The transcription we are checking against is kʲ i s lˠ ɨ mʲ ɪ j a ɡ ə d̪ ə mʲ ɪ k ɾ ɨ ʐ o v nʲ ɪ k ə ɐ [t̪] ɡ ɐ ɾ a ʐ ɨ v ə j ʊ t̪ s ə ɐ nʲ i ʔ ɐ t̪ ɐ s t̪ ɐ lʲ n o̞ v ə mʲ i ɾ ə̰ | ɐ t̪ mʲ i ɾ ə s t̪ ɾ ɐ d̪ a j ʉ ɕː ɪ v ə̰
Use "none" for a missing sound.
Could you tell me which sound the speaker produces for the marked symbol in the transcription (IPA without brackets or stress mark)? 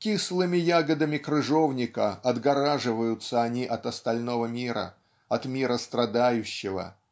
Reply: d̪